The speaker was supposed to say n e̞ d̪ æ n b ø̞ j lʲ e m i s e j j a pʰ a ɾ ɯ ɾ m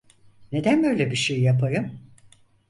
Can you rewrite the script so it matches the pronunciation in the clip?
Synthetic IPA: n e̞ d̪ æ n b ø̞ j lʲ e b i ʃ e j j a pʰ a ɾ ɯ m